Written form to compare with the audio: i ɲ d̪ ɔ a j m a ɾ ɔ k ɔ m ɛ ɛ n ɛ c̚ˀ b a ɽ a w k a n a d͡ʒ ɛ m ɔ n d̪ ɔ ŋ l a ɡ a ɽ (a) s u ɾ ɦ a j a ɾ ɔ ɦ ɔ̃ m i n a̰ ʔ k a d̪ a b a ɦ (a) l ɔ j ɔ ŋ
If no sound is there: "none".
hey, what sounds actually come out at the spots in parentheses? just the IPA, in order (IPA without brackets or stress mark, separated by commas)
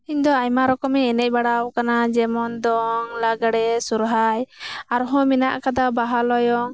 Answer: ɛ, a